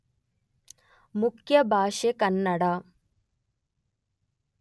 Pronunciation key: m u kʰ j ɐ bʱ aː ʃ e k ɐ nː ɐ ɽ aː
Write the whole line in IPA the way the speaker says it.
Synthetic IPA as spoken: m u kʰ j ɐ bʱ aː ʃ e k ɐ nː ɐ ɽ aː